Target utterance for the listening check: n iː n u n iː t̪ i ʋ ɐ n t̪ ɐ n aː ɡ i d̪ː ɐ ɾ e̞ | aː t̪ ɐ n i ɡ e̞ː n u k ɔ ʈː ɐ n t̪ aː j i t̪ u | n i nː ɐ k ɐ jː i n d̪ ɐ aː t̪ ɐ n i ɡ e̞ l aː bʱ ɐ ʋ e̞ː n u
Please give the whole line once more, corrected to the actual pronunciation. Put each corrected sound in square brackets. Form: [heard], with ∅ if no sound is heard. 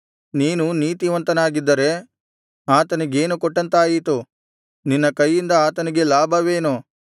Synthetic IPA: n iː n u n iː t̪ i ʋ ɐ n t̪ ɐ n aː ɡ i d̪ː ɐ ɾ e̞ | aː t̪ ɐ n i ɡ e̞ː n u k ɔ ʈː ɐ n t̪ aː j i t̪ u | n i nː ɐ k ɐ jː i n d̪ ɐ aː t̪ ɐ n i ɡ e̞ l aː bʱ ɐ ʋ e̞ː n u